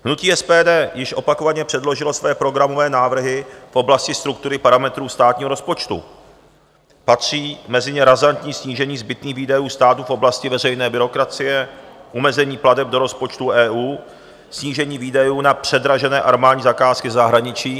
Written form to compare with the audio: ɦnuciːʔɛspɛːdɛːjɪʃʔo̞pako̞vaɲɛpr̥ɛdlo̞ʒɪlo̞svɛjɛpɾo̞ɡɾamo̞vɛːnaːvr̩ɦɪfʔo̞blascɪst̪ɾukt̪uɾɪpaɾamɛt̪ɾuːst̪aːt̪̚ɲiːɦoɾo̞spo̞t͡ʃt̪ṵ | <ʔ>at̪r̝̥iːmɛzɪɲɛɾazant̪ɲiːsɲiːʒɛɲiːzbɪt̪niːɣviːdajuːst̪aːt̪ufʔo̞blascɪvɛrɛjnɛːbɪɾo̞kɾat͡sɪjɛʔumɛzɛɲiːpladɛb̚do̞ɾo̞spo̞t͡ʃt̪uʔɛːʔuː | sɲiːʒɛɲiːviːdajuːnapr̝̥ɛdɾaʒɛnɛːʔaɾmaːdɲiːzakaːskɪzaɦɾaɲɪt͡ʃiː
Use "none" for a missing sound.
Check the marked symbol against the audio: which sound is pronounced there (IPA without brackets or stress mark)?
p